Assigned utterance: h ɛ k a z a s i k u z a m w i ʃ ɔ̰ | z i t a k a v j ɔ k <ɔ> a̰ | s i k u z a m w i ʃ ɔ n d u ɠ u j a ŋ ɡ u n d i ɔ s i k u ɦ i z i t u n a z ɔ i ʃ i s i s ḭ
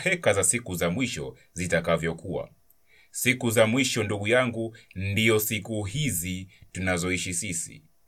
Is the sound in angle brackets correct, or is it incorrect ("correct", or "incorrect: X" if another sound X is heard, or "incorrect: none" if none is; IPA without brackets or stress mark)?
incorrect: u